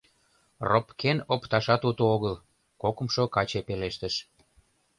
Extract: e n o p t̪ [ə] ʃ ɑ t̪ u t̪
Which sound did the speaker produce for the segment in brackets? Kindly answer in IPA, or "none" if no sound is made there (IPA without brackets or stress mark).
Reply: ɑ